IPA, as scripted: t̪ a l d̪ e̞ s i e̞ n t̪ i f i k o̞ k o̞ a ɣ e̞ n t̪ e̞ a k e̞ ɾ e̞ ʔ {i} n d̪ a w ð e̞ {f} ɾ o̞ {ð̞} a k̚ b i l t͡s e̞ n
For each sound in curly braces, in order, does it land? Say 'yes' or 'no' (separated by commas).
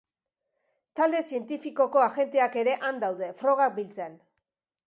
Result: no, yes, no